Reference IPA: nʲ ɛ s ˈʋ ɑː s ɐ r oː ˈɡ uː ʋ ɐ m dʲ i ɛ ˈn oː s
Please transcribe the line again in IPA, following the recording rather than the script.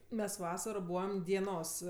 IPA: mʲ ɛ s ˈʋ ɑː s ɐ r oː ˈb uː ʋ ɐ m dʲ i ɛ ˈn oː s